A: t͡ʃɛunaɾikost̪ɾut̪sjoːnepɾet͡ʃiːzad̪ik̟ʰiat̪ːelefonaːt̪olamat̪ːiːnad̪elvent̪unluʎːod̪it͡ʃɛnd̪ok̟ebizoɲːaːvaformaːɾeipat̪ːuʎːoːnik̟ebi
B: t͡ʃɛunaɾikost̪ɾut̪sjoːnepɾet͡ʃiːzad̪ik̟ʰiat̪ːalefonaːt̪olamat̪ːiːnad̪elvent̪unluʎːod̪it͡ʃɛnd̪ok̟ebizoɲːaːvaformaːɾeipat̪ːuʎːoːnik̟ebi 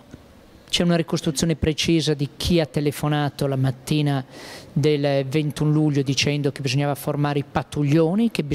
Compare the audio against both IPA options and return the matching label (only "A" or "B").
A